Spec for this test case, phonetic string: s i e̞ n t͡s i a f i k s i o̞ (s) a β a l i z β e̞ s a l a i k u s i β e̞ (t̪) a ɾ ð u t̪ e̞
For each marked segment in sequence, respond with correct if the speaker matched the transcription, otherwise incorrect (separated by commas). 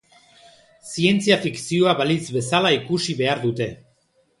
incorrect, incorrect